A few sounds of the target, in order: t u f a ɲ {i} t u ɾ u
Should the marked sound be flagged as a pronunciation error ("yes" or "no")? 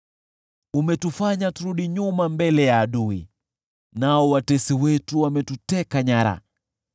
yes